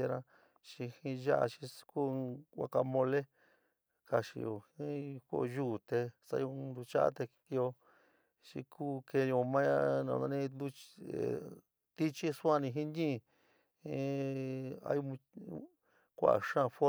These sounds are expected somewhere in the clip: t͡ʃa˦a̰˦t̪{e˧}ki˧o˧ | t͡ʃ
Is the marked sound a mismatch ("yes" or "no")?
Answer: no